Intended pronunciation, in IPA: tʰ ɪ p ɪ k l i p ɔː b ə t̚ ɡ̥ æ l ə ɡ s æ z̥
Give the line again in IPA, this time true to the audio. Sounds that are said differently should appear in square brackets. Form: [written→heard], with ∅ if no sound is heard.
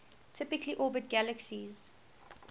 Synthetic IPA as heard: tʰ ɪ p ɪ k l i [p→ʔ] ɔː b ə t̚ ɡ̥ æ l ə [ɡ→k] s [æ→i] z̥

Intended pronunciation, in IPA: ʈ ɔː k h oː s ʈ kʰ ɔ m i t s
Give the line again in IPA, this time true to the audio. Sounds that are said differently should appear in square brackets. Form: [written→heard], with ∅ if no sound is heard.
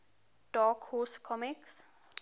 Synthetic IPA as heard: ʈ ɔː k h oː s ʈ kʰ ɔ m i [t→k] s

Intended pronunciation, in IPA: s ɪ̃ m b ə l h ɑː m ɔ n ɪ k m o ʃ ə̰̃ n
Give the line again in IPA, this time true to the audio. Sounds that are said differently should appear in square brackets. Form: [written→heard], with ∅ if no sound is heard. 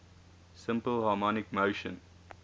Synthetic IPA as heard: s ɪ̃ m [b→p] ə l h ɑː m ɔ n ɪ k m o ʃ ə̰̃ n

